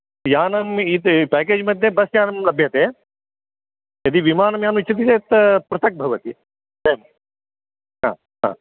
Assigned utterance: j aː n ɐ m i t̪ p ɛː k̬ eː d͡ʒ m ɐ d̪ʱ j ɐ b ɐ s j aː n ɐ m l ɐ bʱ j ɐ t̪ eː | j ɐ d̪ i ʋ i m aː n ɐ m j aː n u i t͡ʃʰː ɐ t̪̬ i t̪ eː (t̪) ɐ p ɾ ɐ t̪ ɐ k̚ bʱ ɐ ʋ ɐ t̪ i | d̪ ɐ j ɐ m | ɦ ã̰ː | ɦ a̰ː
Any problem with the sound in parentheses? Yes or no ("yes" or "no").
no